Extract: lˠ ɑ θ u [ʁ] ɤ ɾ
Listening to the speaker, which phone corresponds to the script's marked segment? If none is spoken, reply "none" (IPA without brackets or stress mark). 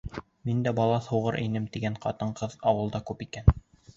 ʁ